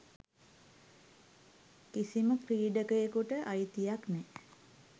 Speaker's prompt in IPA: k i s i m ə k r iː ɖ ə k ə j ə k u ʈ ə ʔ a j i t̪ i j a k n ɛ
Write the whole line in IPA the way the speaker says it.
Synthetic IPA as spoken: k i s i m ə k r iː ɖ ə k ə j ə k u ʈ ə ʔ a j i t̪ i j a k n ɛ